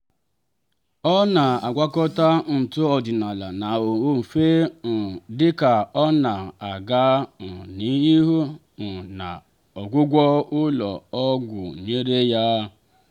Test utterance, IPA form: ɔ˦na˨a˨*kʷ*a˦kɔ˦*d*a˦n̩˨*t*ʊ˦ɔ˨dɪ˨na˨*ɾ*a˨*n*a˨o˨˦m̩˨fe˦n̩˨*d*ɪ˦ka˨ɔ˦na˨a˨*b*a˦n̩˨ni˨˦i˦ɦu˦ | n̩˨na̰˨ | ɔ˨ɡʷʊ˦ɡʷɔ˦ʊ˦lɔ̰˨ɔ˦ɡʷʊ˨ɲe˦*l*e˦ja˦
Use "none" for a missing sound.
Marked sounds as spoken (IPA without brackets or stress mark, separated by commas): ɡʷ, t, t, l, n, d, ɡ, ɾ